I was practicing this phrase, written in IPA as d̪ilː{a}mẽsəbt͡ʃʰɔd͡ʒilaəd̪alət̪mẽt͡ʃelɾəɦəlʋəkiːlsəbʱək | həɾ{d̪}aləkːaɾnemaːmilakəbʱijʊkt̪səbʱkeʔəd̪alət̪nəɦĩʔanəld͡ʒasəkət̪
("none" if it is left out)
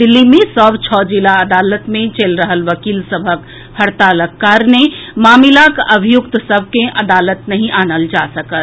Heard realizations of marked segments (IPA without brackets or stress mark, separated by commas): i, t̪